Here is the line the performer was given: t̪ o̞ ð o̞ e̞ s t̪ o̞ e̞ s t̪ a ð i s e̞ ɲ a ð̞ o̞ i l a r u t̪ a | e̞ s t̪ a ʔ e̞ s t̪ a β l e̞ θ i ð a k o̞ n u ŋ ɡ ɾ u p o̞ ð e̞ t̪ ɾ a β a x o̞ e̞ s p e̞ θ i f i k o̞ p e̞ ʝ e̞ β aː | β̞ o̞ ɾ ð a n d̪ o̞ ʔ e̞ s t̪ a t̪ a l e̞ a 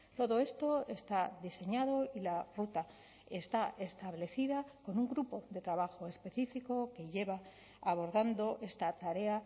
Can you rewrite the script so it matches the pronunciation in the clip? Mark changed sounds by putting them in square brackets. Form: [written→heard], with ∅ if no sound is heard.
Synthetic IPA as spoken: t̪ o̞ ð o̞ e̞ s t̪ o̞ e̞ s t̪ a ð i s e̞ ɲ a ð̞ o̞ i l a r u t̪ a | e̞ s t̪ a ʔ e̞ s t̪ a β l e̞ θ i ð a k o̞ n u ŋ ɡ ɾ u p o̞ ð e̞ t̪ ɾ a β a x o̞ e̞ s p e̞ θ i f i k o̞ [p→k] e̞ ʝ e̞ β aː | β̞ o̞ ɾ ð a n d̪ o̞ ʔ e̞ s t̪ a t̪ a [l→ɾ] e̞ a